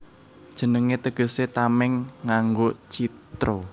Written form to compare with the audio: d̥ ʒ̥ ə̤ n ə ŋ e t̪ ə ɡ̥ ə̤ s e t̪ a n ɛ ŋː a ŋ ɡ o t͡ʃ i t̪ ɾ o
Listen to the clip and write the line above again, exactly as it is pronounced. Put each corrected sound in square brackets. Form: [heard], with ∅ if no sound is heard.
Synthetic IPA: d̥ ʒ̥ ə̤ n ə ŋ e t̪ ə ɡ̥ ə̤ s e t̪ a [m] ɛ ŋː a ŋ ɡ o t͡ʃ i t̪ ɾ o